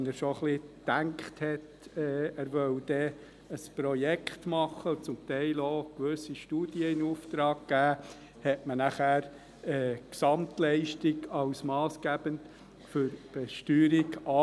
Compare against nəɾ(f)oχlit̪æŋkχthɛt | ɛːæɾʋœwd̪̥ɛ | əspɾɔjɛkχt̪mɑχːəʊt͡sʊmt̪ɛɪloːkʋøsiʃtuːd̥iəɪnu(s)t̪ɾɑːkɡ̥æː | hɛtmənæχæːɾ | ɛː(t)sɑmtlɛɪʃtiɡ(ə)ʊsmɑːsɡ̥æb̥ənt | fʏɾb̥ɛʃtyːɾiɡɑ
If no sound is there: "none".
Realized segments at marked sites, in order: ʃ, f, k, ɑ

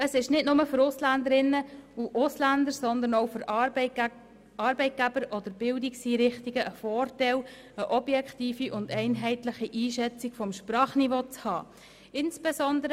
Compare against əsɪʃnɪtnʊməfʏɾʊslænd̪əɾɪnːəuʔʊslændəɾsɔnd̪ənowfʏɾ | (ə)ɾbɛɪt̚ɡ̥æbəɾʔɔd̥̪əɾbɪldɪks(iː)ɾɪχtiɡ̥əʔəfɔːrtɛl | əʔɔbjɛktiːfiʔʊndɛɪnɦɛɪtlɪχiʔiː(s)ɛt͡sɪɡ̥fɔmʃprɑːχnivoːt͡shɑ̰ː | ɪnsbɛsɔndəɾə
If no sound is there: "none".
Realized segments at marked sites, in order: ɑ, iː, ʃ

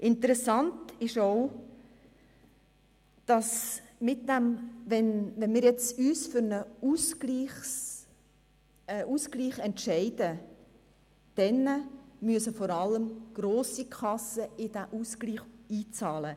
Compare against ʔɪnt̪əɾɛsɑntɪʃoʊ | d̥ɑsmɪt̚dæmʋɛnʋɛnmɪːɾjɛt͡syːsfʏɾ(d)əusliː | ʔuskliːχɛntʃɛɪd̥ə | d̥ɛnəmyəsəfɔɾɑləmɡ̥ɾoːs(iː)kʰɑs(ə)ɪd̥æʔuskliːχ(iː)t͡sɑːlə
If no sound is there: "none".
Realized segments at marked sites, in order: n, i, ə, iː

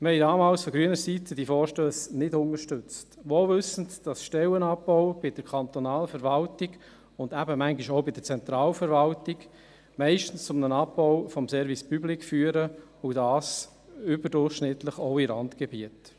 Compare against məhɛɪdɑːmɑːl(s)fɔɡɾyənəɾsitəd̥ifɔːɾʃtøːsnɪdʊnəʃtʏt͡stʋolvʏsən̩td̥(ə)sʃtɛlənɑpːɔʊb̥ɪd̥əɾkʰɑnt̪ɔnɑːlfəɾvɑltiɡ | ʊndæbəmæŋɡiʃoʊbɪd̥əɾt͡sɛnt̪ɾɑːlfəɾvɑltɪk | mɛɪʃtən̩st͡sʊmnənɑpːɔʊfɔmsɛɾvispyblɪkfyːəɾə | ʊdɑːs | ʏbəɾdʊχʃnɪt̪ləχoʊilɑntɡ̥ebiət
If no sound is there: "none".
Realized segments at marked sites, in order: s, ɑ

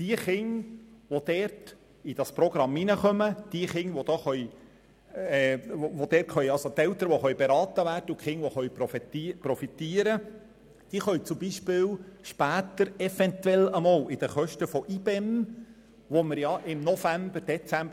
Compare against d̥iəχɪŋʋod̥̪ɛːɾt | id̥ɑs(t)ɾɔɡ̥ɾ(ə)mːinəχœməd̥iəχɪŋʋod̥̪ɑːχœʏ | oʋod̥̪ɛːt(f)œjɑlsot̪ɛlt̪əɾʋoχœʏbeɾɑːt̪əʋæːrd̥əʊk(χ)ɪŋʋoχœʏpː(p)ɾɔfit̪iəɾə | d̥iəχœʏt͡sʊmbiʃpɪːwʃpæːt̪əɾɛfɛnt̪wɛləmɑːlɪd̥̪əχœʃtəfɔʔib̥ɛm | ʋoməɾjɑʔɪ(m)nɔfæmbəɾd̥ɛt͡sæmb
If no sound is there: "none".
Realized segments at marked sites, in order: p, ɑ, χ, χ, p, m

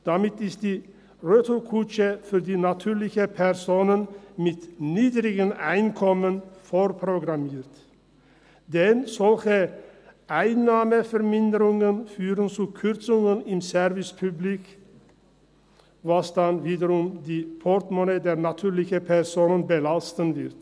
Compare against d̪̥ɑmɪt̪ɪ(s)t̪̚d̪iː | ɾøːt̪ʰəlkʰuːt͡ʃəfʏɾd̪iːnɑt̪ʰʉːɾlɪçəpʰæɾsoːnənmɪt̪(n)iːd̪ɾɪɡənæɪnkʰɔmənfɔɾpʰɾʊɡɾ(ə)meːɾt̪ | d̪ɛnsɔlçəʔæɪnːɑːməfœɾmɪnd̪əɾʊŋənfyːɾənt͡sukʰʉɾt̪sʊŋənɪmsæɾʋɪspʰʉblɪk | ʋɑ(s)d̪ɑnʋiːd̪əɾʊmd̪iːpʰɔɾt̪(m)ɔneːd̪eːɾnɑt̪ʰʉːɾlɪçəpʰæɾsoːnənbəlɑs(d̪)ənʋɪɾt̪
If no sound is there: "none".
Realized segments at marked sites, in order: s, n, ɑ, s, m, t̪

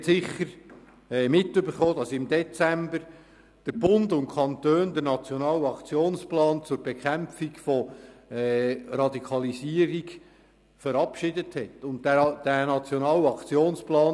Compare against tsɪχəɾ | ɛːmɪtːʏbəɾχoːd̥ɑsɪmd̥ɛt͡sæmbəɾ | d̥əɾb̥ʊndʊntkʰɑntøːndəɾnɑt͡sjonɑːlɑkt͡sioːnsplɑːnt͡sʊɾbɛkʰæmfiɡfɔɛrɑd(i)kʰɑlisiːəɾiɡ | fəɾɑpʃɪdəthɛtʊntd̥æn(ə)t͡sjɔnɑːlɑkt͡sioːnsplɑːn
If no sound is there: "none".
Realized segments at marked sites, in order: i, ɑ

